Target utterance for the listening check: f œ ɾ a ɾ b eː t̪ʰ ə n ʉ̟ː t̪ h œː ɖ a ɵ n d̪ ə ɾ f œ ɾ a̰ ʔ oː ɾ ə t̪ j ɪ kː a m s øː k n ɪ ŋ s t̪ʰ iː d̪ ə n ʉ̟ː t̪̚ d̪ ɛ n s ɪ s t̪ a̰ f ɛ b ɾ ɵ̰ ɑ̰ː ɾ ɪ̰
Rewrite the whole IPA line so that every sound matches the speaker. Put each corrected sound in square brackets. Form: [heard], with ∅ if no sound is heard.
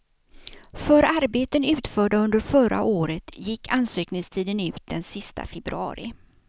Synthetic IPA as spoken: f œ ɾ a ɾ b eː [t̪] ə n ʉ̟ː t̪ [f] œː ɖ a ɵ n d̪ ə ɾ f œ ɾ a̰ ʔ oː ɾ ə t̪ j ɪ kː a [n] s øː k n ɪ ŋ s t̪ʰ iː d̪ ə n ʉ̟ː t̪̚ d̪ ɛ n s ɪ s t̪ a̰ f ɛ b ɾ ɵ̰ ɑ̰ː ɾ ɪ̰